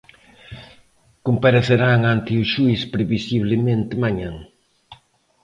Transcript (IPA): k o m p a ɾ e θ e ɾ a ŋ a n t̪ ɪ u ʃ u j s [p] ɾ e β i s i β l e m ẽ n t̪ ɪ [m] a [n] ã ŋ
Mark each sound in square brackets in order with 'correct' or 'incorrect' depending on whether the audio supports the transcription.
correct, correct, incorrect

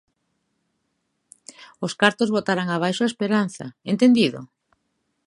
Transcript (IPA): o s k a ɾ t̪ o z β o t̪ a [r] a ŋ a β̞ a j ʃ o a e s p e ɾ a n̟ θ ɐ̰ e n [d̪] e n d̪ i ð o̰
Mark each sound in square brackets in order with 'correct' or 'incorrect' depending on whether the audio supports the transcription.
incorrect, incorrect

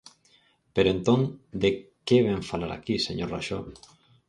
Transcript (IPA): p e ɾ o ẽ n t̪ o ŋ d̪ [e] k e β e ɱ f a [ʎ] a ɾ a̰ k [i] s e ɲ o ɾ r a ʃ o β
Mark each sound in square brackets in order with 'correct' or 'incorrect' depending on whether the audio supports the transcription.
correct, incorrect, correct

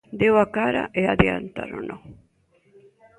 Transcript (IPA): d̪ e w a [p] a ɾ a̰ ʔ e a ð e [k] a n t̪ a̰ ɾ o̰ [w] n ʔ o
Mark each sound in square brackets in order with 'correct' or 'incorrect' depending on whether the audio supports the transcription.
incorrect, incorrect, incorrect

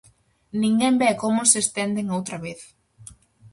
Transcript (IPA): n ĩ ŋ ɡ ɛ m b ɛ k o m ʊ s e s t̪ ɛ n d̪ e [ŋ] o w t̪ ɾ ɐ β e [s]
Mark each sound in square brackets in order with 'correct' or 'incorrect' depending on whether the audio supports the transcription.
correct, incorrect

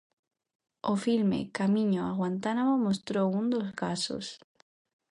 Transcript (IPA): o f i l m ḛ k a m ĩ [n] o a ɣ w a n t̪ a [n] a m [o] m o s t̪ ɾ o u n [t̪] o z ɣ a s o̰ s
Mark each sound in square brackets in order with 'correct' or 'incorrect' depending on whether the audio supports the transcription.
incorrect, correct, correct, incorrect

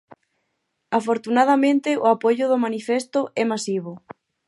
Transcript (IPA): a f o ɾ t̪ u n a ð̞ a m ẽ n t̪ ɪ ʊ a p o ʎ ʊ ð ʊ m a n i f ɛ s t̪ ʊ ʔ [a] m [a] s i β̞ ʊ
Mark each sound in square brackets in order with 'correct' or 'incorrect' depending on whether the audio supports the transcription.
incorrect, correct

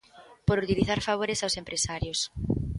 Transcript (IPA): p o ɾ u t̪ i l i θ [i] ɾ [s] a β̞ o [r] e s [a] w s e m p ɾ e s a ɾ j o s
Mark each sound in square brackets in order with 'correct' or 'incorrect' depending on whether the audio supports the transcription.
incorrect, incorrect, incorrect, correct

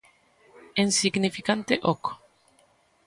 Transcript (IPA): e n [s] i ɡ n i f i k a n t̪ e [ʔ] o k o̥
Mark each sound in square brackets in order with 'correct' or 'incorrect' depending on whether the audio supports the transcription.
correct, correct

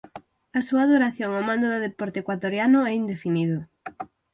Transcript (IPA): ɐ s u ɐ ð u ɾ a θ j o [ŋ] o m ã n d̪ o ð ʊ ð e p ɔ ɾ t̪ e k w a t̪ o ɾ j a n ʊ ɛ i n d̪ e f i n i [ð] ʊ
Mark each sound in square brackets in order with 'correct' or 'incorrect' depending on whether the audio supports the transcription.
correct, correct

